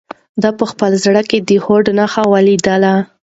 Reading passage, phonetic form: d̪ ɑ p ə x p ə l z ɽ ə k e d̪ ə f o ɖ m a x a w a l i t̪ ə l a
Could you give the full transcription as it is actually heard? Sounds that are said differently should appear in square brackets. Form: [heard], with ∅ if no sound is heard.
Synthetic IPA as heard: d̪ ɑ p ə x p ə l z ɽ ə k e d̪ ə [h] o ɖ [n] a x a w a l i [d̪] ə l a